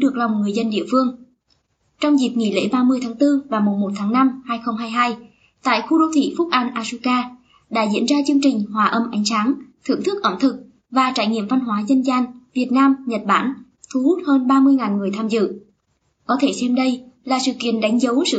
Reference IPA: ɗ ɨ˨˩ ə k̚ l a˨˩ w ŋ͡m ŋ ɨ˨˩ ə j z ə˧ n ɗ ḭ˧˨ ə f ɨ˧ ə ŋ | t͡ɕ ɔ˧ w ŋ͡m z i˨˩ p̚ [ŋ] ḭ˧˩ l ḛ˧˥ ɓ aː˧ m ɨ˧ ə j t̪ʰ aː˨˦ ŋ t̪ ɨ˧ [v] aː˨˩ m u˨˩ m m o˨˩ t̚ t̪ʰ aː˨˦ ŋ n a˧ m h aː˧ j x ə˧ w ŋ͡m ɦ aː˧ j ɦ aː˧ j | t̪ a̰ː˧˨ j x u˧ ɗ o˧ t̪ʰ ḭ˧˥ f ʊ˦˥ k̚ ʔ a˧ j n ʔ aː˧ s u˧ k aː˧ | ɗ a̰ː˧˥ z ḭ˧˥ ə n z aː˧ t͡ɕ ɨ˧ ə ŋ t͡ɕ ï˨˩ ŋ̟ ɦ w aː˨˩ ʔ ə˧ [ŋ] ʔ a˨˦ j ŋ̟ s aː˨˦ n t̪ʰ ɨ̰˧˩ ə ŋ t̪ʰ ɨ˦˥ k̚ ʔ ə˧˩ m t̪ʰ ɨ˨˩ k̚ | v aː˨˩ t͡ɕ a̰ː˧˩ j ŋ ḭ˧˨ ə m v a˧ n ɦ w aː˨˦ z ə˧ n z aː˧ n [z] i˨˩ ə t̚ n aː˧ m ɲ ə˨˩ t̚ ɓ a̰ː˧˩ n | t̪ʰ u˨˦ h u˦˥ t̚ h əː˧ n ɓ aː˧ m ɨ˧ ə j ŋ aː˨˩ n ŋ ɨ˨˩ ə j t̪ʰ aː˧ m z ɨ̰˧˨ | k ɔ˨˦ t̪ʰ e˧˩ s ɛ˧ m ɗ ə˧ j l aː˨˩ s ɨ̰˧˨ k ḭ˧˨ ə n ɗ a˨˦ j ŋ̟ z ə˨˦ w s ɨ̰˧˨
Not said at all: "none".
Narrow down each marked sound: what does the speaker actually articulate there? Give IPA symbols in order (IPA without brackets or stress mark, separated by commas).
ŋ, v, m, v